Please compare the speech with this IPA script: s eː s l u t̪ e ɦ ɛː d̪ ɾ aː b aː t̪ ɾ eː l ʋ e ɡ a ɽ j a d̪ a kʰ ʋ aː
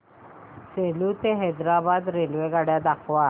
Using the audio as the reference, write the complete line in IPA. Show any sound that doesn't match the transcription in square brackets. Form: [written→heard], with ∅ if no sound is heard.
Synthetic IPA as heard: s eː [s→∅] l u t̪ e ɦ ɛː d̪ ɾ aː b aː [t̪→d̪] ɾ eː l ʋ e ɡ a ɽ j a d̪ a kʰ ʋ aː